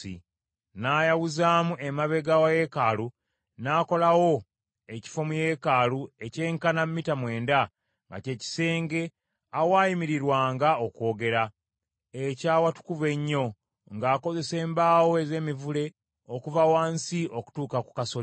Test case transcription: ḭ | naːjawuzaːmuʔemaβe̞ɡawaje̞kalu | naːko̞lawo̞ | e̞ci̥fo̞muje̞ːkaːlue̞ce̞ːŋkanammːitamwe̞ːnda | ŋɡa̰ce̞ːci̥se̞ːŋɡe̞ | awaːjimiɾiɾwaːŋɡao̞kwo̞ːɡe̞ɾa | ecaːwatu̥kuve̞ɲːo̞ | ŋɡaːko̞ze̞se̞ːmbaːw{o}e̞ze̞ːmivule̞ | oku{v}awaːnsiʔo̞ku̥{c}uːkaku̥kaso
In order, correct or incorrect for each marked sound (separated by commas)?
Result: correct, correct, incorrect